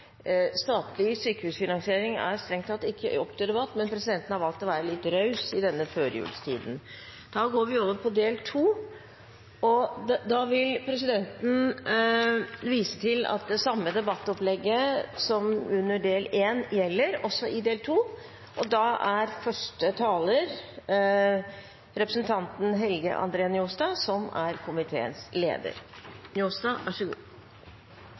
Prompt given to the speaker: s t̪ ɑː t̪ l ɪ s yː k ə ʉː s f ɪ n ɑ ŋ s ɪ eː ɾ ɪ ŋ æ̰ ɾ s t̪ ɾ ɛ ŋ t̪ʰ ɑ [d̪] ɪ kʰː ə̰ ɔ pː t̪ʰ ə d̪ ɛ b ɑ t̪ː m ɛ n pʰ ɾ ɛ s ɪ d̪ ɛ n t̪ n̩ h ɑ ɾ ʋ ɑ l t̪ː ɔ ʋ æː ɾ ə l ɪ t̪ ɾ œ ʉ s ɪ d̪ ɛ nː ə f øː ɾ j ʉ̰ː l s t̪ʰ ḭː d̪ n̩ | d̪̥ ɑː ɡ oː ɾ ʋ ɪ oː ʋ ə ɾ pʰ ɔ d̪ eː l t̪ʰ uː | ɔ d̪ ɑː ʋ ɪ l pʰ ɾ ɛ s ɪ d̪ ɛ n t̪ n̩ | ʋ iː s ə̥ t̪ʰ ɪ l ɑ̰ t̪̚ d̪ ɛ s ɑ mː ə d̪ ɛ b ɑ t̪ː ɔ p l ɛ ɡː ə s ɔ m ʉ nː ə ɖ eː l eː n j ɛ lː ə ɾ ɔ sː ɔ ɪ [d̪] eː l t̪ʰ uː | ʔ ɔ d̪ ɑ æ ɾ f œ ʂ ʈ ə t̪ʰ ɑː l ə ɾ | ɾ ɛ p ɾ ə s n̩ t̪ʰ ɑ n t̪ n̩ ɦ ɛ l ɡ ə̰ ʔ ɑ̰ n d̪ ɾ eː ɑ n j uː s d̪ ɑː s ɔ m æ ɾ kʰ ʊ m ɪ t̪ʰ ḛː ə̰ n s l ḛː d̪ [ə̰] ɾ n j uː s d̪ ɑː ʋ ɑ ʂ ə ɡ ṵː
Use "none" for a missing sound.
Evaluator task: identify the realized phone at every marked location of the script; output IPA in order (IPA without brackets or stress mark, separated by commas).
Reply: t̪, d̪, ə̰